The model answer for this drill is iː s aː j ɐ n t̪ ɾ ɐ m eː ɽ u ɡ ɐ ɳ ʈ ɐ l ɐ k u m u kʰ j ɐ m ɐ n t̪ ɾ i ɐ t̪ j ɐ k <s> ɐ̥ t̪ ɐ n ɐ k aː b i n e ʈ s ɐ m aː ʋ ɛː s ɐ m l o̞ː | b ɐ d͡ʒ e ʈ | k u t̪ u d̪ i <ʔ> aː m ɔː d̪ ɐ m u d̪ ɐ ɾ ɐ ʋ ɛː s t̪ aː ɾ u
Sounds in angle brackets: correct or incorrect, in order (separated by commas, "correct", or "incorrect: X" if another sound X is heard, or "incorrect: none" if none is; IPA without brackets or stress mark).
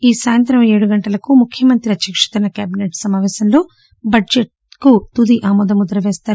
incorrect: ʂ, correct